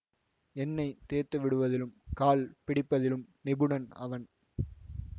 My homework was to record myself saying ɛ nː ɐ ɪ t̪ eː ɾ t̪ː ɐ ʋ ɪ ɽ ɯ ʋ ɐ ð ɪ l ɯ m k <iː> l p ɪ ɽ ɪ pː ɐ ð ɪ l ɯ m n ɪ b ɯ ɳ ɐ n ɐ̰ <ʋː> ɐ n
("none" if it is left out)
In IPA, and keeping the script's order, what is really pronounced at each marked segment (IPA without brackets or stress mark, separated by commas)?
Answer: aː, ʋ